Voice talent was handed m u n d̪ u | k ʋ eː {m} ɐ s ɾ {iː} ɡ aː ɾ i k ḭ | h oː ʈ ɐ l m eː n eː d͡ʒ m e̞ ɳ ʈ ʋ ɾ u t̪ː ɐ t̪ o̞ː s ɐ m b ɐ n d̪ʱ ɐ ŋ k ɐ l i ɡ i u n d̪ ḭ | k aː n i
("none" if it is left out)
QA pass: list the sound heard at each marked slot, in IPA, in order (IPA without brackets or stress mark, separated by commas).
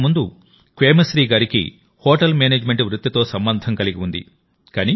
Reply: m, iː